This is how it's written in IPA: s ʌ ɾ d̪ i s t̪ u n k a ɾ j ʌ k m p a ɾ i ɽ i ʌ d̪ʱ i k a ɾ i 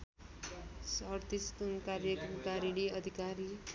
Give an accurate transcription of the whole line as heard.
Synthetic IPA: s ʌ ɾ t̪ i s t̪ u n k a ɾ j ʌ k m k a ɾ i ɽ i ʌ d̪ʱ i k a ɾ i